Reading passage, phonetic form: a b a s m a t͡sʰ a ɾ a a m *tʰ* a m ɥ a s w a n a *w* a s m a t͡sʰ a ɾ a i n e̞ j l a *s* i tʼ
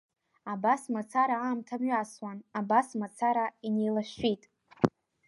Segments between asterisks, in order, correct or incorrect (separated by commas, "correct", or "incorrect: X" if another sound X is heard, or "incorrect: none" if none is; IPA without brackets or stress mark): correct, incorrect: b, incorrect: ʃ